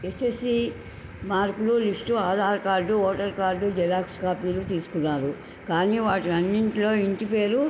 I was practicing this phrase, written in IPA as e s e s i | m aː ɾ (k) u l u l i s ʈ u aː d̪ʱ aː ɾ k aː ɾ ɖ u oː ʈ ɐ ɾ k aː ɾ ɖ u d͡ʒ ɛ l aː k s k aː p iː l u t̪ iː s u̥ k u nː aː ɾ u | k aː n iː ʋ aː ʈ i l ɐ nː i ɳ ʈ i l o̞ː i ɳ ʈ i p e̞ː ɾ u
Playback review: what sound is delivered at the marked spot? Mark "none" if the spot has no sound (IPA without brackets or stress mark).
k